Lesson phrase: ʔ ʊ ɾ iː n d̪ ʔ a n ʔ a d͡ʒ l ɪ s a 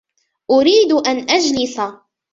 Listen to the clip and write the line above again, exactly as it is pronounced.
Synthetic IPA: ʔ ʊ ɾ iː d̪ ʔ a n ʔ a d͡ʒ l ɪ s a